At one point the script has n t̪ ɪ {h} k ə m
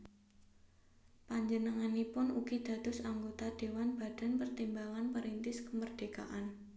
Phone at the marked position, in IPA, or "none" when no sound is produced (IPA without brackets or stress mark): s